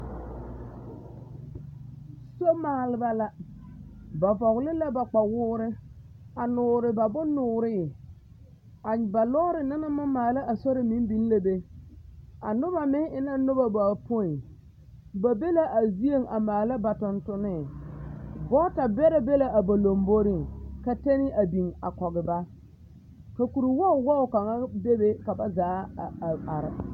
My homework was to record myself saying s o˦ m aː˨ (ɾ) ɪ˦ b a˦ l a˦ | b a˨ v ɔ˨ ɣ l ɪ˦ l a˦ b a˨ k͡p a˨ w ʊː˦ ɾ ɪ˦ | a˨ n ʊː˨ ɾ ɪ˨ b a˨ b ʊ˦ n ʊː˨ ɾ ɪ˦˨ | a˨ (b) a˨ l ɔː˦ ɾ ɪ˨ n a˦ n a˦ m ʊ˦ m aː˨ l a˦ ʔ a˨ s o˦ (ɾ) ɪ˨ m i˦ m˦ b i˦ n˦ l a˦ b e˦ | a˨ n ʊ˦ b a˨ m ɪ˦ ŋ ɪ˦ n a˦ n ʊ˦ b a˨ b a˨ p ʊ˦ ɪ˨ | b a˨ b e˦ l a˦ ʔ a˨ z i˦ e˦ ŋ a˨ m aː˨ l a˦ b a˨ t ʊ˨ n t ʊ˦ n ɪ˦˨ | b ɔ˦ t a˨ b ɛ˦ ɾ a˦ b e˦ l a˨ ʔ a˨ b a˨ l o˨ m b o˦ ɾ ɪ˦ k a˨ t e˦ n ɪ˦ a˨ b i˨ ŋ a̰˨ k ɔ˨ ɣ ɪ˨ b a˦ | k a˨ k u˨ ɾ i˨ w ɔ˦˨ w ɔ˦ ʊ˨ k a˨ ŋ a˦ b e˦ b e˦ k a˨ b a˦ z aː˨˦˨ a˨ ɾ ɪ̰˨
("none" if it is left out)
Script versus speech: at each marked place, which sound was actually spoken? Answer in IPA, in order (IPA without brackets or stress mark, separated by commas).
l, b, ɾ